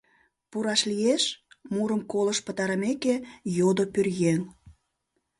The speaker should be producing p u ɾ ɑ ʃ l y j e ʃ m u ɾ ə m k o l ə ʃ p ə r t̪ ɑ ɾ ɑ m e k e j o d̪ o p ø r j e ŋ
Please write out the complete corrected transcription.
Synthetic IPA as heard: p u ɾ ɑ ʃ l i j e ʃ m u ɾ ə m k o l ə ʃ p ə t̪ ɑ ɾ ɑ m e k e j o d̪ o p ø r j e ŋ